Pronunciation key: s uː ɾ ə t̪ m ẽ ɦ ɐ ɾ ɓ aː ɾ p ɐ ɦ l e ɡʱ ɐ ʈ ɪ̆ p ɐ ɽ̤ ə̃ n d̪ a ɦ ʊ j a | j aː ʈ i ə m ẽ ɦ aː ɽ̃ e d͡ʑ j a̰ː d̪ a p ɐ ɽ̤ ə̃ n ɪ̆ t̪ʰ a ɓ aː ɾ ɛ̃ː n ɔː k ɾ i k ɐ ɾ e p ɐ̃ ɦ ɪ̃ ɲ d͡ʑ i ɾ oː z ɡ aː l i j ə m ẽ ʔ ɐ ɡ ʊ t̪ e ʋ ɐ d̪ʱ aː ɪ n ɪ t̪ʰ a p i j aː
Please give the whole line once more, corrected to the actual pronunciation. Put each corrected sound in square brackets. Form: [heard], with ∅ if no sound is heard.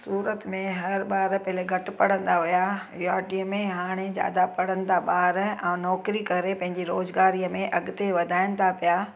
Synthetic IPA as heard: s uː ɾ ə t̪ m ẽ ɦ ɐ ɾ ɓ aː ɾ p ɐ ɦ l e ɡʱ ɐ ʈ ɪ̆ p ɐ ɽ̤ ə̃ n d̪ a ɦ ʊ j a | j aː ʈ i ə m ẽ ɦ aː ɽ̃ e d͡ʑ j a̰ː d̪ a p ɐ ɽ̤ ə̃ n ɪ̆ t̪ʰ a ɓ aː ɾ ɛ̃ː n ɔː k ɾ i k ɐ ɾ e p ɐ̃ ɦ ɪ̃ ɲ d͡ʑ i ɾ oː z ɡ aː [ɾ] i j ə m ẽ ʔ ɐ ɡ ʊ t̪ e ʋ ɐ d̪ʱ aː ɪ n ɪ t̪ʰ a p i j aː